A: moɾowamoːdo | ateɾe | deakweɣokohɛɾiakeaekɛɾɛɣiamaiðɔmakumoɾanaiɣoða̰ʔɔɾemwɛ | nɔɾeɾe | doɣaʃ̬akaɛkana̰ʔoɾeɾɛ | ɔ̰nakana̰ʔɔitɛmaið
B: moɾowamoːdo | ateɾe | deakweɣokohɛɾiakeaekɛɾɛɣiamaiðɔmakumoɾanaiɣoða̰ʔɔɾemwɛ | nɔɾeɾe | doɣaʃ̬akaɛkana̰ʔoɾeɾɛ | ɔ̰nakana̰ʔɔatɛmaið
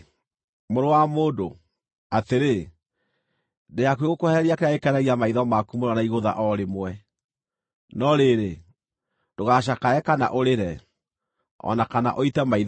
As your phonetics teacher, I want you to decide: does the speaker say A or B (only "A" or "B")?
A